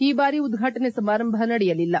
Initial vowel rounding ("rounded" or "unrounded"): unrounded